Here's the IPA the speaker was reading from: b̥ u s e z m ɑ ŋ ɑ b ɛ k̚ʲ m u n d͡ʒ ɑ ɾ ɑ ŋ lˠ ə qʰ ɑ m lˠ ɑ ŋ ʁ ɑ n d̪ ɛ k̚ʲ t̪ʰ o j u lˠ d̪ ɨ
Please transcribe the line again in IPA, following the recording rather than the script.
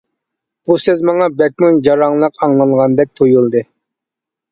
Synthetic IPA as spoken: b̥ u s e z m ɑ ŋ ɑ b ɛ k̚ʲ m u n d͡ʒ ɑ ɾ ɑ ŋ lˠ ə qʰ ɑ ŋ lˠ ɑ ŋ ʁ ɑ n d̪ ɛ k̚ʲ t̪ʰ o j u lˠ d̪ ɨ